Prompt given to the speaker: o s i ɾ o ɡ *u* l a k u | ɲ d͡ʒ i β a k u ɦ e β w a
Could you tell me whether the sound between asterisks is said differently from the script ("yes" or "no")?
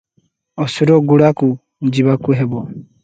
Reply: no